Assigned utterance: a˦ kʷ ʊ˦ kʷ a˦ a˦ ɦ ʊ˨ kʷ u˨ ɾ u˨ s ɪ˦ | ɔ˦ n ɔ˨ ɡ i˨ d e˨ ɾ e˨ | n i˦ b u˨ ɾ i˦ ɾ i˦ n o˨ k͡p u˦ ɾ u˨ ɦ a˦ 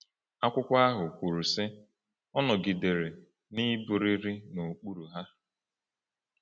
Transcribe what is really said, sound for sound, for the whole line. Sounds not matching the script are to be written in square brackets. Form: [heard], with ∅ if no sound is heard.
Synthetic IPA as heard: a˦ kʷ ʊ˦ kʷ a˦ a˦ ɦ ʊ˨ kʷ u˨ ɾ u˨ s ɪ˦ | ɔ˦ n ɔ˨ ɡ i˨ d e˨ ɾ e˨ | n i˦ b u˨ ɾ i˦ ɾ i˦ n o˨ k͡p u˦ ɾ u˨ ɦ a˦